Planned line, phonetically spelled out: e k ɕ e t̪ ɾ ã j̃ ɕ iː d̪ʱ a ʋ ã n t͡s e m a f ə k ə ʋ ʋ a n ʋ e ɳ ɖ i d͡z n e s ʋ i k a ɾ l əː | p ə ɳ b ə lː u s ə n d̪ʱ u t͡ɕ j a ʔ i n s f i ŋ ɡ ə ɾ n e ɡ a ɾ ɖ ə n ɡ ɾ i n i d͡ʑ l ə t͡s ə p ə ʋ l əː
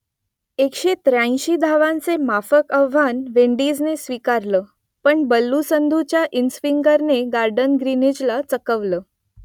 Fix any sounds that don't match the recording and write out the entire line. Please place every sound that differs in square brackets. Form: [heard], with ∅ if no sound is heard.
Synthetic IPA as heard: e k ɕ e t̪ ɾ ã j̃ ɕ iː d̪ʱ a ʋ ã n t͡s e m a f ə k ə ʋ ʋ a n ʋ e ɳ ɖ i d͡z n e s ʋ i k a ɾ l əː | p ə ɳ b ə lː u s ə n d̪ʱ u t͡ɕ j a ʔ i n s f i ŋ ɡ ə ɾ n e ɡ a ɾ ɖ ə n ɡ ɾ i n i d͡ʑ l [a] t͡s ə [k] ə ʋ l əː